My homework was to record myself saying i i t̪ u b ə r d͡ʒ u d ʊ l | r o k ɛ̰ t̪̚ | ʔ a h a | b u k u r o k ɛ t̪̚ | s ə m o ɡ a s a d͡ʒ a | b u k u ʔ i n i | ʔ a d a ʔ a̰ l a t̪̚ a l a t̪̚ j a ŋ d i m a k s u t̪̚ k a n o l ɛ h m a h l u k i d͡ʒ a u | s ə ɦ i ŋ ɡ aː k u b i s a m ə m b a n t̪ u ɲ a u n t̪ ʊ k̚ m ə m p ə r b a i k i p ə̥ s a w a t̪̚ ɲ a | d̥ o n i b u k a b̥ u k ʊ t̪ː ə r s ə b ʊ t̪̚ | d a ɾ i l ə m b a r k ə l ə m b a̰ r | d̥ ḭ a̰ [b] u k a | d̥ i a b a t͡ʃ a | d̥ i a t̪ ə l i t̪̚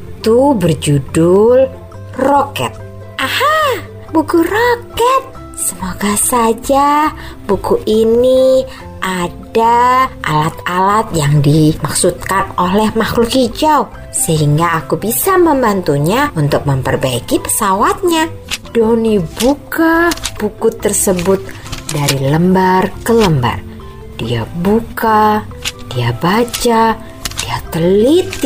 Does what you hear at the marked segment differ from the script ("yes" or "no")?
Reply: no